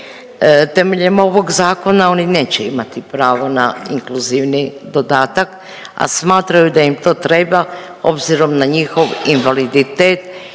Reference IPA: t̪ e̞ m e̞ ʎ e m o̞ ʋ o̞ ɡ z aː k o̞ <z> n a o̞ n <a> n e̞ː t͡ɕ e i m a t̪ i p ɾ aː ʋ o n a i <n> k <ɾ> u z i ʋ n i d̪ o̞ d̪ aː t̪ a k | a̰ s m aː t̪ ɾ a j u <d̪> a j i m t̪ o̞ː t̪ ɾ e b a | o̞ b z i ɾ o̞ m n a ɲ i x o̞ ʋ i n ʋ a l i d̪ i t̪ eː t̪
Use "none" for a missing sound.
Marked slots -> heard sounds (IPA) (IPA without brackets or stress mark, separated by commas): none, i, ŋ, l, d̪